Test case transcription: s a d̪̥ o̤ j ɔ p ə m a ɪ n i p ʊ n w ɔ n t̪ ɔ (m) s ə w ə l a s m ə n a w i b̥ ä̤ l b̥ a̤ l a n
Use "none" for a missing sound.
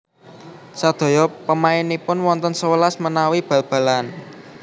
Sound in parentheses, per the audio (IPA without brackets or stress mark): n